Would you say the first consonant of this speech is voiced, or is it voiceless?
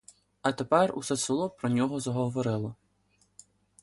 voiceless